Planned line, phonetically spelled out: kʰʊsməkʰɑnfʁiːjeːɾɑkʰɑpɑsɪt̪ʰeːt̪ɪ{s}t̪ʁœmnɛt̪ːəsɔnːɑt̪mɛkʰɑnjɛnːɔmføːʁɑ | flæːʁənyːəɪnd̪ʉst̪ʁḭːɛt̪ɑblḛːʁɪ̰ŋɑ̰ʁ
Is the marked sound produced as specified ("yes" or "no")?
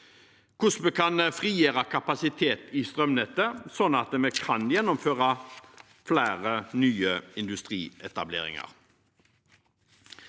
yes